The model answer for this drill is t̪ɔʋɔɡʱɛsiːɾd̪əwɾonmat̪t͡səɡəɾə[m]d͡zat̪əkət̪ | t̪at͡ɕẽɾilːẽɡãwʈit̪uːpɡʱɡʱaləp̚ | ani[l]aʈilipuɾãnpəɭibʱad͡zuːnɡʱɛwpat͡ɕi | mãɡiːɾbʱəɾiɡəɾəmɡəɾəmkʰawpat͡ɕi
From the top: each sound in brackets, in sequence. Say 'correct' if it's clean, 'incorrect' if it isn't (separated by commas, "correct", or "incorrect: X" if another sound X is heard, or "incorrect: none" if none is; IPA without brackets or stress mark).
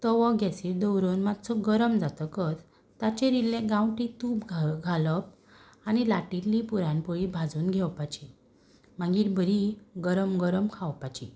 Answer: correct, correct